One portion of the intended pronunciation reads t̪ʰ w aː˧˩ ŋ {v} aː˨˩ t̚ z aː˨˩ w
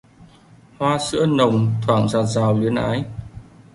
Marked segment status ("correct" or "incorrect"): incorrect